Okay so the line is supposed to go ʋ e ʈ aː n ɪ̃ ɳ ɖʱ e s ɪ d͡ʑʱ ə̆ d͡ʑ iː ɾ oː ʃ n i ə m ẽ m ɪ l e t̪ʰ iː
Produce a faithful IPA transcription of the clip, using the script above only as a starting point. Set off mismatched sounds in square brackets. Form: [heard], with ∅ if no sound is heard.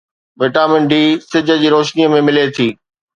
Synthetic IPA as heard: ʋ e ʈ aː [m] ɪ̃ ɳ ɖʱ [i] s ɪ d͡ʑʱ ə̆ d͡ʑ iː ɾ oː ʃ n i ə m ẽ m ɪ l e t̪ʰ iː

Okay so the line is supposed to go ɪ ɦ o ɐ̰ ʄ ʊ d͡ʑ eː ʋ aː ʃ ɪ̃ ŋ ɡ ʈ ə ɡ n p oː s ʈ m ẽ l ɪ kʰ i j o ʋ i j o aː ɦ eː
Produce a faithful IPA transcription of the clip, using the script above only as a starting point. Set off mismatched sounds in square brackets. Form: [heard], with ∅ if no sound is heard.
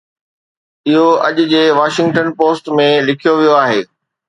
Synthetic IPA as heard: ɪ ɦ o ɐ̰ ʄ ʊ d͡ʑ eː ʋ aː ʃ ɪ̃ ŋ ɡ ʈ ə [∅] n p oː s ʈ m ẽ l ɪ kʰ i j o ʋ i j o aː ɦ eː

